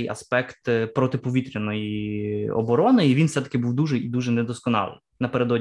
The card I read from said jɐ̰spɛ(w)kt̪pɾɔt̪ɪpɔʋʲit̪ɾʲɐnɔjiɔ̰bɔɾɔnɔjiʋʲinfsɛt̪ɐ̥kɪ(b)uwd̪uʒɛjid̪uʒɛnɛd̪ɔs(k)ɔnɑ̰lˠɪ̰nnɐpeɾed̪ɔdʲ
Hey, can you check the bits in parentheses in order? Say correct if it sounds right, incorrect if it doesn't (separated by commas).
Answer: incorrect, correct, correct